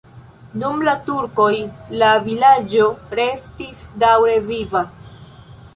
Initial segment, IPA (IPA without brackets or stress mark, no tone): n